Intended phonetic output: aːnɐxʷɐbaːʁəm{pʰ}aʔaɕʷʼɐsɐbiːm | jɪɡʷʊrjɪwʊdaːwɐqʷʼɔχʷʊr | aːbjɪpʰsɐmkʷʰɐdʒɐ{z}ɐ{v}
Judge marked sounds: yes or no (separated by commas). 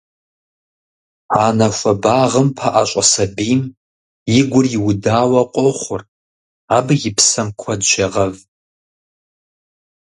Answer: yes, no, yes